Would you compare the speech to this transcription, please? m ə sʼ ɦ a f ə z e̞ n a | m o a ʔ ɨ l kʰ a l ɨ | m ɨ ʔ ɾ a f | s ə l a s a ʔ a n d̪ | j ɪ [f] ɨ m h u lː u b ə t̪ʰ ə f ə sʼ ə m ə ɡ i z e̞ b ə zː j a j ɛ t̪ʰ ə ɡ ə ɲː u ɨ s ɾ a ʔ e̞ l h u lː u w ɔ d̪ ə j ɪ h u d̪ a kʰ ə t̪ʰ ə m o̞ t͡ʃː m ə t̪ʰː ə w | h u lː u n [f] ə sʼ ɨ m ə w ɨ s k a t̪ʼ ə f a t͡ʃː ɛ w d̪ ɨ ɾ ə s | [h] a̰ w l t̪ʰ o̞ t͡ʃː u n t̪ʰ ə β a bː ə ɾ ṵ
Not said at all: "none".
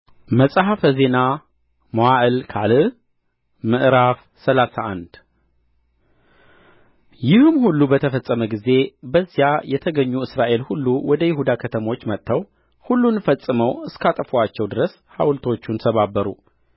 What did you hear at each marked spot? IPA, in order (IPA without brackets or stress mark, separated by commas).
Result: h, f, h